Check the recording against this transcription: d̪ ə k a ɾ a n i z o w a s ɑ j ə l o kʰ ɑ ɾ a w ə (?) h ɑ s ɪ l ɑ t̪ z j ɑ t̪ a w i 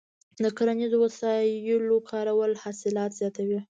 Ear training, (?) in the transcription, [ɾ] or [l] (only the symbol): l